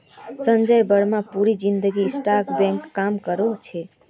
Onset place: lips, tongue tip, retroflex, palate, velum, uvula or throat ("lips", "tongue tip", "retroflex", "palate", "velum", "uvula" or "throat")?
tongue tip